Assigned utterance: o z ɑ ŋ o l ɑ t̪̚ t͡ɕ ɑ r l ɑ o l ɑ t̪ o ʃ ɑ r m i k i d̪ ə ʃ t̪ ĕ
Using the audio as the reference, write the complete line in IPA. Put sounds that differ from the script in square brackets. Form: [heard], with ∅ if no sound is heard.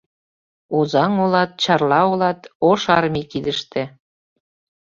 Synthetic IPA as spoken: o z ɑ ŋ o l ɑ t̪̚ t͡ɕ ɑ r l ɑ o l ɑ t̪ o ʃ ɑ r m i k i d̪ ə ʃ t̪ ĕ